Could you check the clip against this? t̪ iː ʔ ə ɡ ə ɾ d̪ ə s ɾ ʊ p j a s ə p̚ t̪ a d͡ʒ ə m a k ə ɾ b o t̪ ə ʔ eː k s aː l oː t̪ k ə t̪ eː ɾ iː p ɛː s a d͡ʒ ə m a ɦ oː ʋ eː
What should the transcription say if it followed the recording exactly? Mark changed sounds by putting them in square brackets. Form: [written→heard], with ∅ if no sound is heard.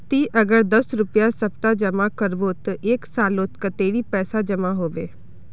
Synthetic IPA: t̪ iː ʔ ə ɡ ə ɾ d̪ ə s ɾ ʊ p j a s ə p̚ t̪ a d͡ʒ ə m a k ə ɾ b o t̪ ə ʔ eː k s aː l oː t̪ k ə t̪ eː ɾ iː p ɛː s a d͡ʒ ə m a ɦ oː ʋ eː